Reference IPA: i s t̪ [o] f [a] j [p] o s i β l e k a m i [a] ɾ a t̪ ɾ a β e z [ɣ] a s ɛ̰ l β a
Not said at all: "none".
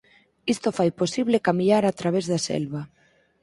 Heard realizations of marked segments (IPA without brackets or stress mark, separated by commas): o, a, p, a, ð